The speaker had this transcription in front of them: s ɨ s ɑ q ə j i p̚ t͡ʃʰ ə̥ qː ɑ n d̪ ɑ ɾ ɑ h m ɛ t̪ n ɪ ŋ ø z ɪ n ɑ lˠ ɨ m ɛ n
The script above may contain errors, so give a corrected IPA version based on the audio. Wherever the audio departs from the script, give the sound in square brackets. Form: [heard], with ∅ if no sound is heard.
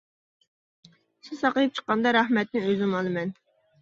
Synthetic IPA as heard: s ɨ s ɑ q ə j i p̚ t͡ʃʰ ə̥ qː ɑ n d̪ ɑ ɾ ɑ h m ɛ t̪ n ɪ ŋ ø z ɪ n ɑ lˠ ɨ m ɛ n